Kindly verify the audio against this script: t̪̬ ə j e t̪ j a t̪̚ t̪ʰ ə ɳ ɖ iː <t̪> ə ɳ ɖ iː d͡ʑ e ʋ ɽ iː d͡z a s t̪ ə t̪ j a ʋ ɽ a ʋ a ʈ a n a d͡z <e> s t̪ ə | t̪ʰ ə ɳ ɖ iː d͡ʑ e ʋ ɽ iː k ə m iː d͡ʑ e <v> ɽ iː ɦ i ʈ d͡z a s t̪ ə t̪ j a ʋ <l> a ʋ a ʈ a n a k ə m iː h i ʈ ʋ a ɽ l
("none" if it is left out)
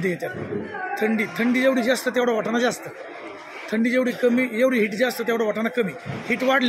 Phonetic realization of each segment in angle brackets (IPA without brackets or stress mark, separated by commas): t̪ʰ, a, ʋ, ɽ